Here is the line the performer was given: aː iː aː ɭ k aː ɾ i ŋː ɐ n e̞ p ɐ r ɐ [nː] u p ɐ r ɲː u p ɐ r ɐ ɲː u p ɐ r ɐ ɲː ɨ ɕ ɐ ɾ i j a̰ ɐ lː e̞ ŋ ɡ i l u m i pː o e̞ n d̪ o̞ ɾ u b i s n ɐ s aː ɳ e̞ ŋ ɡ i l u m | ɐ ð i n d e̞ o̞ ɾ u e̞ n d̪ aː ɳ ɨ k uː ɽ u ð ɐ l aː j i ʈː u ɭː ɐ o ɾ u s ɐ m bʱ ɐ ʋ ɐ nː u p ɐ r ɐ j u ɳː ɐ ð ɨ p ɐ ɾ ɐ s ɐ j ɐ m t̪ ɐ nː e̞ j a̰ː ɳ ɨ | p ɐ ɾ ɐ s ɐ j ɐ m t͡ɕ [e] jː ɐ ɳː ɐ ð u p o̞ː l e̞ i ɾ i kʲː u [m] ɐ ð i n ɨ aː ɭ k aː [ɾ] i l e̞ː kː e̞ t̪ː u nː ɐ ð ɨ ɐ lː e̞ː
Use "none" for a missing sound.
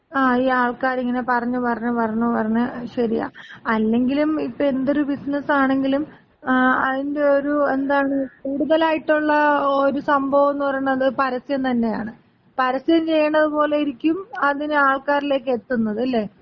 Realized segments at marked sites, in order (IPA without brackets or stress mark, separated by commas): ɲː, e, m, ɾ